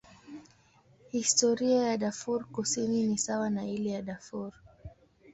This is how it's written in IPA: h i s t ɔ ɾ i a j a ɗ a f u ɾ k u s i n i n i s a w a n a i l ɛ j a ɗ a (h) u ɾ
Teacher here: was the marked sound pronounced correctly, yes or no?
no